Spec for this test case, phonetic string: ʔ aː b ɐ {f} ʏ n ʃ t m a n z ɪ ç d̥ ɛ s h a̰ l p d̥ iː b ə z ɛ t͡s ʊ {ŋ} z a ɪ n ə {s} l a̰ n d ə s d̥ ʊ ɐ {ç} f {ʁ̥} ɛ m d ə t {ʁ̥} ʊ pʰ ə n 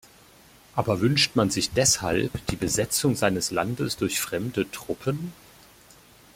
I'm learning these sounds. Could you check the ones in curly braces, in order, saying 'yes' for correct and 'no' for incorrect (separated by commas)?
no, yes, yes, yes, yes, yes